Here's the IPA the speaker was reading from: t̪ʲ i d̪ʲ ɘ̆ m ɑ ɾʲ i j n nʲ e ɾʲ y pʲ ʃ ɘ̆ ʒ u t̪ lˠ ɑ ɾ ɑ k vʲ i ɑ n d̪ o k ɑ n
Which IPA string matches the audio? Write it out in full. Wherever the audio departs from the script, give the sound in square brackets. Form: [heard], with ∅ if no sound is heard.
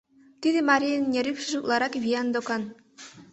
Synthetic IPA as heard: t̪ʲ i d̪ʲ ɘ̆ m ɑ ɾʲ i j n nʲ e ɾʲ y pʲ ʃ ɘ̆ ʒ u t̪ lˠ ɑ ɾ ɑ k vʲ i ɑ n d̪ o k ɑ n